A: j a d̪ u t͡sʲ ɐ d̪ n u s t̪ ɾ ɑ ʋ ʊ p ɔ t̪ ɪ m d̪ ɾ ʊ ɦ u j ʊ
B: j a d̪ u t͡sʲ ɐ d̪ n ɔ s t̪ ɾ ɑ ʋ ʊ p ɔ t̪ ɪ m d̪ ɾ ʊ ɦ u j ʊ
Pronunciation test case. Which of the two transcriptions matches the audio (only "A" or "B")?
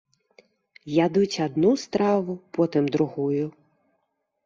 A